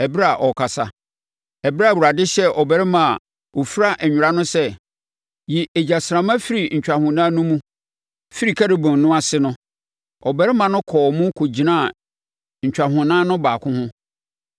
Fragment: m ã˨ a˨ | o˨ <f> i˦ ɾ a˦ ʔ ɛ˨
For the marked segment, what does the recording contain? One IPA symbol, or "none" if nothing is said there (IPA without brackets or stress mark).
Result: f